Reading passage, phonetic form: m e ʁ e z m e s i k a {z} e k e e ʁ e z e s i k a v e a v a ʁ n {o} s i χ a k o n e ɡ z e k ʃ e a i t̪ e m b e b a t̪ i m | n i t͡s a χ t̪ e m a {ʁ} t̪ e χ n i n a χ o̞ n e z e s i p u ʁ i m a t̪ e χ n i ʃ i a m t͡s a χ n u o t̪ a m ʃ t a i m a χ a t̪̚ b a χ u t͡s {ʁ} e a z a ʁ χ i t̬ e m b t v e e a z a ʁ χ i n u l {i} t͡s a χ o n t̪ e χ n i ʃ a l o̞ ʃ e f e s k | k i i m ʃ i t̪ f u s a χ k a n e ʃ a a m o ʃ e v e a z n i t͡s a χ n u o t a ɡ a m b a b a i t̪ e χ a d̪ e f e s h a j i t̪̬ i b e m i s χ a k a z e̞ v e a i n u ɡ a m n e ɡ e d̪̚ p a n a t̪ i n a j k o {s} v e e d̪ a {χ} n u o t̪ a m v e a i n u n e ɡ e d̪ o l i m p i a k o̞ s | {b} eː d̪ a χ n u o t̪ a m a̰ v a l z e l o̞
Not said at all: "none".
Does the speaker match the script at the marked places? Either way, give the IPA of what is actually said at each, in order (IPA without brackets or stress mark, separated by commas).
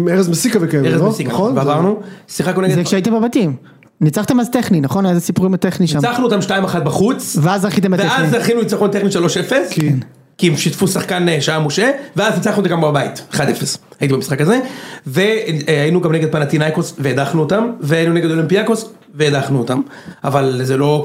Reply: v, u, z, v, i, s, χ, v